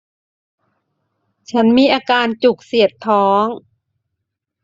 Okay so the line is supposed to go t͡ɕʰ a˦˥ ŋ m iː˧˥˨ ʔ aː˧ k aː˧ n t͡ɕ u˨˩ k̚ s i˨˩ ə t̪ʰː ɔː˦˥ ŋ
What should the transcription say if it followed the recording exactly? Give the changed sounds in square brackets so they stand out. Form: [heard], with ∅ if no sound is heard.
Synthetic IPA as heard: t͡ɕʰ a˦˥ [n] m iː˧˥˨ ʔ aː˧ k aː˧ n t͡ɕ u˨˩ k̚ s i˨˩ ə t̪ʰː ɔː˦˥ ŋ